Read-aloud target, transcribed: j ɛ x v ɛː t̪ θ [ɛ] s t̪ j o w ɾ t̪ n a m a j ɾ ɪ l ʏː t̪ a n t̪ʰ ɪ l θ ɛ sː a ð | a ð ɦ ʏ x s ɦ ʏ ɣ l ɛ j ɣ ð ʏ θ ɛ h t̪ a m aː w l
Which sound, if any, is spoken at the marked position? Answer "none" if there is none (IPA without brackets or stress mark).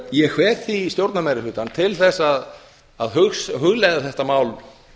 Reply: i